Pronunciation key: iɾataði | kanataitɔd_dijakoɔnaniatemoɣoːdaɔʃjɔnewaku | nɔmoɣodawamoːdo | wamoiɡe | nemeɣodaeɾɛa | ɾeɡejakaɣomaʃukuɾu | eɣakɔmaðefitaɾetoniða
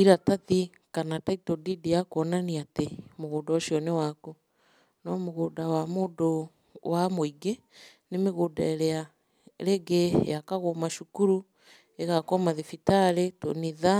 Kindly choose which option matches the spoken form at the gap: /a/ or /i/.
i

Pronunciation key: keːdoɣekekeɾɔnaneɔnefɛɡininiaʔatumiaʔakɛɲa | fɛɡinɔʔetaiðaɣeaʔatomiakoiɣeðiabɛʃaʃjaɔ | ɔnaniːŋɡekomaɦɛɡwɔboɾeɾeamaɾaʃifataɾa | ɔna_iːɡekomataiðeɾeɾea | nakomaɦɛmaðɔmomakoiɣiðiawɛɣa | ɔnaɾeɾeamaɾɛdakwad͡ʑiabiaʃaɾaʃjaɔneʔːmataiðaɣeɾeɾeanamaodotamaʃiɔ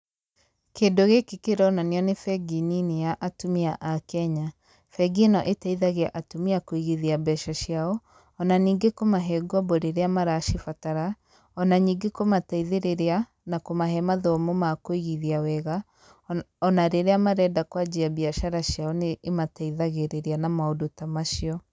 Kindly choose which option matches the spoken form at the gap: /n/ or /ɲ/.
ɲ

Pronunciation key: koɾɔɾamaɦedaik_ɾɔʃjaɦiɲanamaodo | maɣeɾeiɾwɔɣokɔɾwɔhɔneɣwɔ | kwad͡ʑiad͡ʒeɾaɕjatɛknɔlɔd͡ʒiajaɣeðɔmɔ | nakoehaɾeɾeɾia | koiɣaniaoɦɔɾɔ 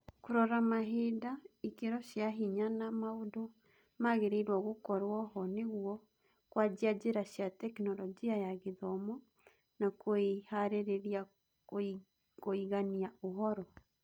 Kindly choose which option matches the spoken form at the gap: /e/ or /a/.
e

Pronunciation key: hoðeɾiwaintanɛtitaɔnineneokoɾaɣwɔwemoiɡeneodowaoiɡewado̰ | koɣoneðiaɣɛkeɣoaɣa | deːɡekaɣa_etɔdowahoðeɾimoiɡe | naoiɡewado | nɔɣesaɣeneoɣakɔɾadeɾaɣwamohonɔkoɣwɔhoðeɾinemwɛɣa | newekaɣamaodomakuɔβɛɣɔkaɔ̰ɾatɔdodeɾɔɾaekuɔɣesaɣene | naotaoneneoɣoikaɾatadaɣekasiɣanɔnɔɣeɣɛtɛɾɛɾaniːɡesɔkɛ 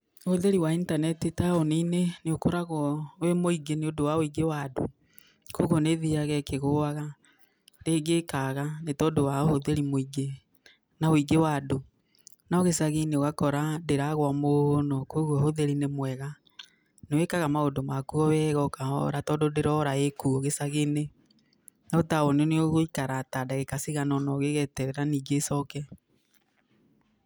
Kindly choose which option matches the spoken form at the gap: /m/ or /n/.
n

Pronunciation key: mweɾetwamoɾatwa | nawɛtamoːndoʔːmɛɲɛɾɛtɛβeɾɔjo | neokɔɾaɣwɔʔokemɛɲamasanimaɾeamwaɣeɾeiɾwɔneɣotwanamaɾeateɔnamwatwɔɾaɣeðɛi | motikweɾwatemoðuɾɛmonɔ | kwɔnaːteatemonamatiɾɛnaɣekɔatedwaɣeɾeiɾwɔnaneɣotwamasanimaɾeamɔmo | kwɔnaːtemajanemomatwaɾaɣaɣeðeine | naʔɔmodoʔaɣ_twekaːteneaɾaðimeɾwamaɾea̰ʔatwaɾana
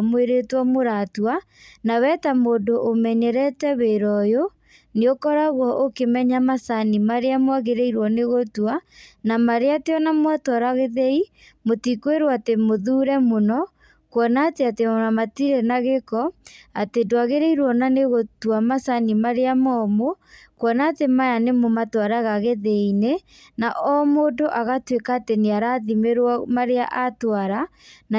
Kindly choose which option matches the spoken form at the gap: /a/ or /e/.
a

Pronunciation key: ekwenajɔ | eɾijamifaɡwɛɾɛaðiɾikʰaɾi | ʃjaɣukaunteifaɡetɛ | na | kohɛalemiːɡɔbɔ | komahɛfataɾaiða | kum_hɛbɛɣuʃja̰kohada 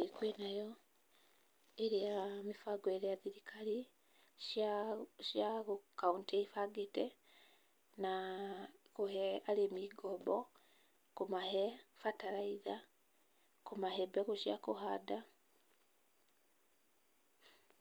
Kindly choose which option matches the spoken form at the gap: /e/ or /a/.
a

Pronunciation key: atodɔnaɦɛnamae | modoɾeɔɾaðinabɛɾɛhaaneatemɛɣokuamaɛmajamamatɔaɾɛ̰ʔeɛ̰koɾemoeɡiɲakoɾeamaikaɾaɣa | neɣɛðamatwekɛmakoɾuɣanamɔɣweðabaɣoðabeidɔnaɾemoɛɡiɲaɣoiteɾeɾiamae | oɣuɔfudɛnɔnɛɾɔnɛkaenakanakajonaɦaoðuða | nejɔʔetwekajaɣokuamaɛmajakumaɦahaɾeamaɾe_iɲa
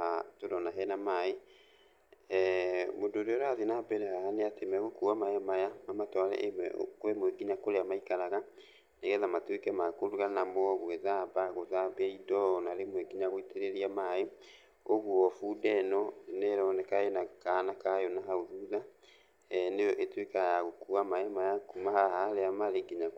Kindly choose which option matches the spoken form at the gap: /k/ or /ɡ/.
ɡ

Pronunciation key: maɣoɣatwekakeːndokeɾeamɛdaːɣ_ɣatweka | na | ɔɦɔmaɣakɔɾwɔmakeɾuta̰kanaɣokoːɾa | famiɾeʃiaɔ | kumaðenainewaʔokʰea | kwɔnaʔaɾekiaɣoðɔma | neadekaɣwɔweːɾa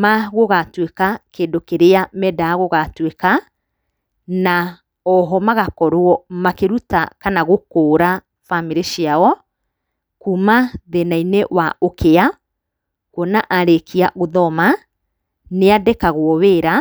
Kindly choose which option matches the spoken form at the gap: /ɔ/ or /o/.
o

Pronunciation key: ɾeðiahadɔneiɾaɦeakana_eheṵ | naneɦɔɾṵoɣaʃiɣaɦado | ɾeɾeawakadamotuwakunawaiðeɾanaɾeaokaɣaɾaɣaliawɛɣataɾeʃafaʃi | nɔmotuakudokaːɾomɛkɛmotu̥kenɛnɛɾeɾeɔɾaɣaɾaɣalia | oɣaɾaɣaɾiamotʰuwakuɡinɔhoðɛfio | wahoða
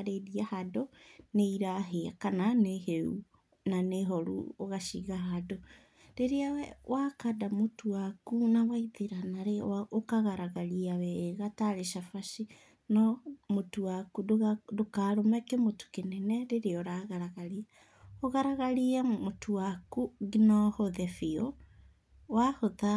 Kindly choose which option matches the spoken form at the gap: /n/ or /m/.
n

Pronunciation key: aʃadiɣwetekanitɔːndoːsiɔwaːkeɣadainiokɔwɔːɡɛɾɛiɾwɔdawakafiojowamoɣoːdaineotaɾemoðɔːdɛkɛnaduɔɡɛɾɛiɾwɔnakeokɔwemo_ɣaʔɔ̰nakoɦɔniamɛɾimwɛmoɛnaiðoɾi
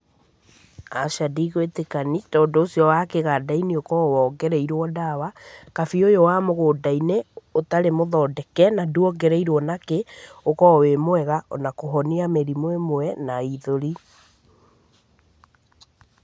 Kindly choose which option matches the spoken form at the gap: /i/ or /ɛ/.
ɛ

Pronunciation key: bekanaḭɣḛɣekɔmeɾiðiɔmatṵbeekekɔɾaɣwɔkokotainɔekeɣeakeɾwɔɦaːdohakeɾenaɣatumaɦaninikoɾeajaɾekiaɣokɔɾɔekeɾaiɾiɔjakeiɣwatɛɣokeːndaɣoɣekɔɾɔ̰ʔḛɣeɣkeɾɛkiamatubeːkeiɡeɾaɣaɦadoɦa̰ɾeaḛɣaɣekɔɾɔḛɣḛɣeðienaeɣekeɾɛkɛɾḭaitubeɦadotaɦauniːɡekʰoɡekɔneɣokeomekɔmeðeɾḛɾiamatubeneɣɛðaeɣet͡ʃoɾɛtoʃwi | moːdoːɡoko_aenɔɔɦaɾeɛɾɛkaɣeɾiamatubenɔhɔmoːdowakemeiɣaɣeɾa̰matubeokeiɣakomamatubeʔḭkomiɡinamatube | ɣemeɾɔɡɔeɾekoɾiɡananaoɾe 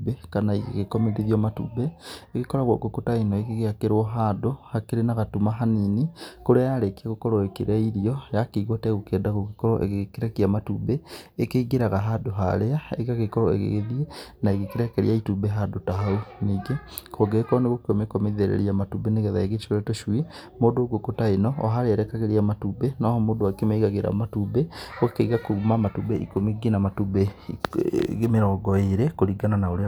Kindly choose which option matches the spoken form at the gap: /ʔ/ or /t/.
t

